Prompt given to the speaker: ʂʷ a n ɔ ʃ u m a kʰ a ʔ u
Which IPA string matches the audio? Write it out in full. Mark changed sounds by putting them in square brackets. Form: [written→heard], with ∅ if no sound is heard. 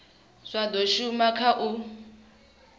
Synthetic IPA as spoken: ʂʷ a [n→d] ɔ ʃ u m a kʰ a ʔ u